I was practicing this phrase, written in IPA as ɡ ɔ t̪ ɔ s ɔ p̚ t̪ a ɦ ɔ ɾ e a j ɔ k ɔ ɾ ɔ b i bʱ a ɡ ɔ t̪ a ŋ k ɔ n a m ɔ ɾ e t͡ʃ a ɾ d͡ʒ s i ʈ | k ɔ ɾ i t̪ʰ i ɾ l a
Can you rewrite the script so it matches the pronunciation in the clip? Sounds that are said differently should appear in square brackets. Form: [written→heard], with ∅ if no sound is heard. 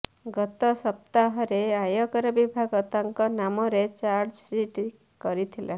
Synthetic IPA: ɡ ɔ t̪ ɔ s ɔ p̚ t̪ a ɦ ɔ ɾ e a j ɔ k ɔ ɾ ɔ b i bʱ a ɡ ɔ t̪ a ŋ k ɔ n a m ɔ ɾ e t͡ʃ a ɾ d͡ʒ s i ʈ | k ɔ ɾ i t̪ʰ i [ɾ→∅] l a